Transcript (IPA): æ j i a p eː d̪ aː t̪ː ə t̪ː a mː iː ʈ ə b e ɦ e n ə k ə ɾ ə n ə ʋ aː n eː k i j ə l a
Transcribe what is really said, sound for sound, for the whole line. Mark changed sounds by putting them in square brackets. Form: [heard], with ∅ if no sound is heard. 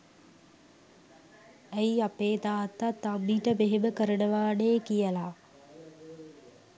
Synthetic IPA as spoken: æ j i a p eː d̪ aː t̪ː [a] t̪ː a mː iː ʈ ə b e ɦ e [m] ə k ə ɾ ə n ə ʋ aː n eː k i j ə l a